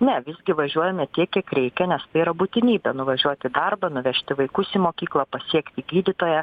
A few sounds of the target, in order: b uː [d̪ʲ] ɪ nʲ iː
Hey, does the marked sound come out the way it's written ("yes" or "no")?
no